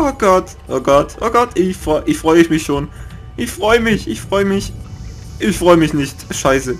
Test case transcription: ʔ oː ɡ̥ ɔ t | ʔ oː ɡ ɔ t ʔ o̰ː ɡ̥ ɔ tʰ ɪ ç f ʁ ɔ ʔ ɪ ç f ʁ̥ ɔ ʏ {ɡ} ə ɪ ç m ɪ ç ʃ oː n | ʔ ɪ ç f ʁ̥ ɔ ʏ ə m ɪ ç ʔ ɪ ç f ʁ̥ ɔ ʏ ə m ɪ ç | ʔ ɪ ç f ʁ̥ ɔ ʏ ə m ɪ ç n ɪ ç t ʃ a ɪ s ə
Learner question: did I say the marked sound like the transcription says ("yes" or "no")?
no